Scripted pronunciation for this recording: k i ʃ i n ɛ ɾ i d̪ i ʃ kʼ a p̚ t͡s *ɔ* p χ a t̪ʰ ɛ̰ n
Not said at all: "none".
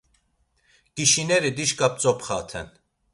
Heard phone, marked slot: ɔ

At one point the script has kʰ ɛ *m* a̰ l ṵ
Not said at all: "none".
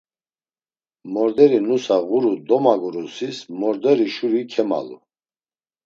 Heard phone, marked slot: m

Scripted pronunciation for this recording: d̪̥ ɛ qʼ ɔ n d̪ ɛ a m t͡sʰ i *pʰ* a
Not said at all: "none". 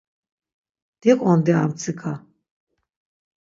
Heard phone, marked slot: kʰ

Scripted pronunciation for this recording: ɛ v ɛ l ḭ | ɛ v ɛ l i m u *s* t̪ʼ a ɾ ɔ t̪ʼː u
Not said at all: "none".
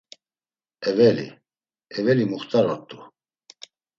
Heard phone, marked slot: χ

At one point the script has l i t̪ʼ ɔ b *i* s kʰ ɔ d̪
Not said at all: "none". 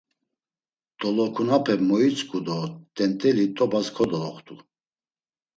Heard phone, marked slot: a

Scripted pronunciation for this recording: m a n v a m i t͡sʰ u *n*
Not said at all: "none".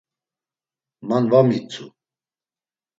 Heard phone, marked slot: none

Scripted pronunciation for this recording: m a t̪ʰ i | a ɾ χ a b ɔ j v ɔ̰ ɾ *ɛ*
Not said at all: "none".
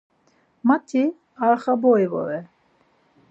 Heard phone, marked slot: ɛ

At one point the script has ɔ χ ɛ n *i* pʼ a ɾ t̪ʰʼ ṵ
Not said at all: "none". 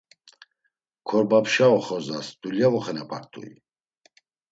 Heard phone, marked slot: ɛ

